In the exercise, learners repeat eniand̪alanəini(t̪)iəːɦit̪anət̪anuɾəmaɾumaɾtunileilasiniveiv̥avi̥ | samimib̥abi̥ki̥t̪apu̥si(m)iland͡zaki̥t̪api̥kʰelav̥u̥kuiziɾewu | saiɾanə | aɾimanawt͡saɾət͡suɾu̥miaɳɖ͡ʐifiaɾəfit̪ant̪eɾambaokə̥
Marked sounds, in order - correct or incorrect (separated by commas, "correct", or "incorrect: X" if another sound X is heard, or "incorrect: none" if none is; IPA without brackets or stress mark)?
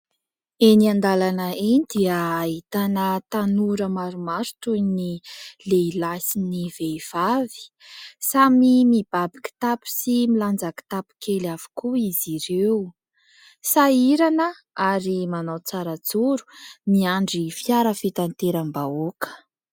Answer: incorrect: d̪, correct